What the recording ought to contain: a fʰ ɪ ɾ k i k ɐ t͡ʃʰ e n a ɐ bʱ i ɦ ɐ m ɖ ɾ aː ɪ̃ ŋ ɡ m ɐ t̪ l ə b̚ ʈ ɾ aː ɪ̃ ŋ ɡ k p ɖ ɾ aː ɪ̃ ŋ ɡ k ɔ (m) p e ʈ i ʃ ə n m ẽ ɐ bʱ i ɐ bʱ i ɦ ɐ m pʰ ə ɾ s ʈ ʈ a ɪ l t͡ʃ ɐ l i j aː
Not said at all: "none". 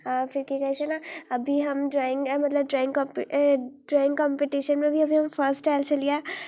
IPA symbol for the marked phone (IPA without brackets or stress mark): m